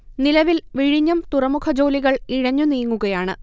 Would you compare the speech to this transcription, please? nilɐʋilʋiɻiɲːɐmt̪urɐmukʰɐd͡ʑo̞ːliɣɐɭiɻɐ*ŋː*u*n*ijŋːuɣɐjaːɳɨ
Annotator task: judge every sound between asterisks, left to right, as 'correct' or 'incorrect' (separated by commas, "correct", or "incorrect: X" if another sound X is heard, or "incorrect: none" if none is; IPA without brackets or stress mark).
incorrect: ɲː, correct